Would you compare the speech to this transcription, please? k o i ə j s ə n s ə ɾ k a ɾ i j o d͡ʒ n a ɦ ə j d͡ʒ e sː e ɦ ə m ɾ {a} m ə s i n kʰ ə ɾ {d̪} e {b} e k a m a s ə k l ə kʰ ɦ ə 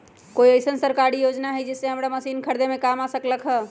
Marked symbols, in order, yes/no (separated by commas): yes, yes, no